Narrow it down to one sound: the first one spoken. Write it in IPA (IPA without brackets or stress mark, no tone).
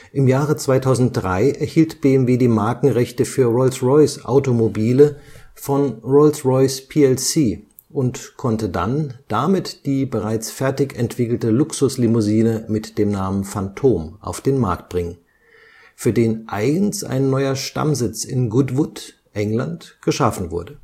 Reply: ʔ